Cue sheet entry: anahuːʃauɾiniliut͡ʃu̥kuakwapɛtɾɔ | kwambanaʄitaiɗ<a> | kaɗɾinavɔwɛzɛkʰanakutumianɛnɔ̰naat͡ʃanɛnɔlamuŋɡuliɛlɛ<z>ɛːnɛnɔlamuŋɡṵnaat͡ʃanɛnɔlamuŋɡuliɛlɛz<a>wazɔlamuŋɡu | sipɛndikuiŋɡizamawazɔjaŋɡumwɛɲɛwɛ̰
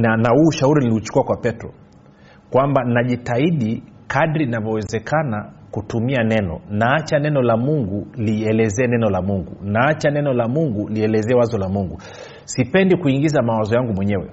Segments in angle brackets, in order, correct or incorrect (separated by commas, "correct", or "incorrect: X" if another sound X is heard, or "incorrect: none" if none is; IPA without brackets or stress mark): incorrect: i, correct, incorrect: ɛ